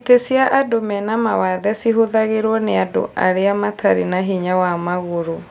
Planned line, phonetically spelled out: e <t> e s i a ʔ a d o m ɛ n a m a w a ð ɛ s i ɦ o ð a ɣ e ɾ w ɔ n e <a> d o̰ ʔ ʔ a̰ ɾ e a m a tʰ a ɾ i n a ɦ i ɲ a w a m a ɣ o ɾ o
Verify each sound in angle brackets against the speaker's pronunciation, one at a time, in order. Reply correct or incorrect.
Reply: correct, correct

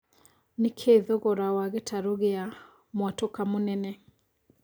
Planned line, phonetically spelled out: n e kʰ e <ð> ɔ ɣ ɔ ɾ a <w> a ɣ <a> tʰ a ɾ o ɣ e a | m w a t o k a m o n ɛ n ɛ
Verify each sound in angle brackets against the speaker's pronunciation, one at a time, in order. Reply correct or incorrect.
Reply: correct, correct, incorrect: e

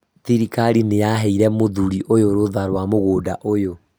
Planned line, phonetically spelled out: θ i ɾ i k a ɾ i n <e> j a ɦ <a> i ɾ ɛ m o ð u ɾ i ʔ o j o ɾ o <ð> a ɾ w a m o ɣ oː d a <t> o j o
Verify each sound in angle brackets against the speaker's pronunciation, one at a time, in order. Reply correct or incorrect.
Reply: correct, incorrect: ɛ, correct, incorrect: ʔ

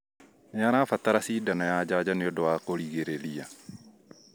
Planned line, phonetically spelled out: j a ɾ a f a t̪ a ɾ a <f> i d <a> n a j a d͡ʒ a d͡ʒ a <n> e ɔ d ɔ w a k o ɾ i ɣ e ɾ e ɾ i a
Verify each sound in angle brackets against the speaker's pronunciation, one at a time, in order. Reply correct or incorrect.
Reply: incorrect: s, correct, correct

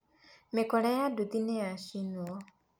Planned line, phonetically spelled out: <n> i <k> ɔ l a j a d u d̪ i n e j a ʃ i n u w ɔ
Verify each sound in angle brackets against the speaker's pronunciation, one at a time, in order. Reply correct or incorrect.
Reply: incorrect: m, correct

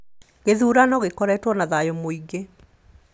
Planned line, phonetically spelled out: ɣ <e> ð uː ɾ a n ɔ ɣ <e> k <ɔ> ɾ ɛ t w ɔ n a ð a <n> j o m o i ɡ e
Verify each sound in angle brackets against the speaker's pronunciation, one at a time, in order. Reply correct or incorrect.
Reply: correct, correct, correct, incorrect: none

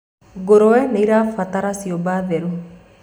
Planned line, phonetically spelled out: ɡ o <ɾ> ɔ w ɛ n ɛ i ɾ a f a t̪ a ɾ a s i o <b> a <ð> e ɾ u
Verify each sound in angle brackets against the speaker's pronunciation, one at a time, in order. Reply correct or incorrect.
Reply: correct, correct, correct

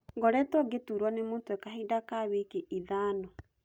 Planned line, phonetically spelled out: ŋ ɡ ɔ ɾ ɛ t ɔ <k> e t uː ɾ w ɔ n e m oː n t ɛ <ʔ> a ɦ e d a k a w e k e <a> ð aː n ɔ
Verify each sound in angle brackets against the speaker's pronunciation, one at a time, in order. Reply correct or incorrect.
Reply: incorrect: ɡ, incorrect: k, incorrect: i

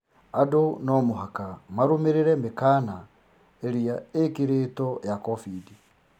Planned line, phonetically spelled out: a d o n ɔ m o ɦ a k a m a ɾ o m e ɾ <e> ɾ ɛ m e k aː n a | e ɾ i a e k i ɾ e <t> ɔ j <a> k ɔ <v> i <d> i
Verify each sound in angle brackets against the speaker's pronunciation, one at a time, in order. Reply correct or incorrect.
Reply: correct, correct, correct, incorrect: f, correct

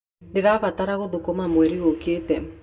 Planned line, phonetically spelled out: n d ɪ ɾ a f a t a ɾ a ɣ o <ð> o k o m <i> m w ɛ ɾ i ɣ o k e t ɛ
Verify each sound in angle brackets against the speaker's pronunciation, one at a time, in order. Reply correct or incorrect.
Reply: correct, incorrect: a

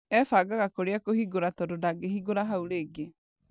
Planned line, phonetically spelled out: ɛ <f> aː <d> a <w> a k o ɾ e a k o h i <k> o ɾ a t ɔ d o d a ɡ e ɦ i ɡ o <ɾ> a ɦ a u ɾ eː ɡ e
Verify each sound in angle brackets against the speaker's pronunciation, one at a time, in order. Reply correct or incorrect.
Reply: correct, incorrect: ɡ, incorrect: ɣ, incorrect: ɡ, correct

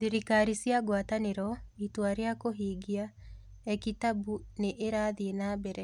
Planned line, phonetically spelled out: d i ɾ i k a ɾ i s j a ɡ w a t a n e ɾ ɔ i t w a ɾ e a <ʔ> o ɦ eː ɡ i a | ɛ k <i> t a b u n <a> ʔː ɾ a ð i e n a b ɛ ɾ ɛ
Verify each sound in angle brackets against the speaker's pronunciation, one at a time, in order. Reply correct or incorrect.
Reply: incorrect: k, correct, incorrect: e

